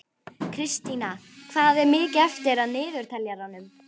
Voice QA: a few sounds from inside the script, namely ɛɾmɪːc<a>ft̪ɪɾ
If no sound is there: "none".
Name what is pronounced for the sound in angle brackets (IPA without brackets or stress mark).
ɛ